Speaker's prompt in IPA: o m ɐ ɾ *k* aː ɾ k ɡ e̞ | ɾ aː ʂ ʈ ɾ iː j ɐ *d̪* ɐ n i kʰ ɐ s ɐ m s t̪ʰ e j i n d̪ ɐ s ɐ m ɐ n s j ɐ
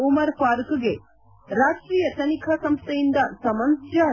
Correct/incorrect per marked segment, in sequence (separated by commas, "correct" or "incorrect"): incorrect, incorrect